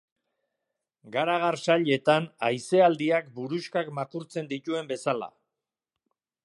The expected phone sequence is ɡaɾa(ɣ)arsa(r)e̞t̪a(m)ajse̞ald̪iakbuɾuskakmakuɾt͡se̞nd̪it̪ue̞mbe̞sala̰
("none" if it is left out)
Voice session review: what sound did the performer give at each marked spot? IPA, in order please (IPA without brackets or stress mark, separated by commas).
ɣ, ʎ, n